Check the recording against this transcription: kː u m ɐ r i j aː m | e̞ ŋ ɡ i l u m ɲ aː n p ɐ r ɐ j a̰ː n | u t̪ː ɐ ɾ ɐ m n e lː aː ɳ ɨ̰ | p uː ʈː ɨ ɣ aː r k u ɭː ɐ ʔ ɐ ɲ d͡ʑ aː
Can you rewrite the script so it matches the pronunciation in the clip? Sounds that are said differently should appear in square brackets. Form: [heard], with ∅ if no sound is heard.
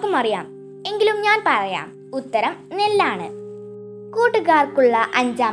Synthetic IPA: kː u m ɐ r i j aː m | e̞ ŋ ɡ i l u m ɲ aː n p ɐ r ɐ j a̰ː [m] | u t̪ː ɐ ɾ ɐ m n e lː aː ɳ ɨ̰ | [k] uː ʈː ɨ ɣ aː r k u ɭː ɐ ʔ ɐ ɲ d͡ʑ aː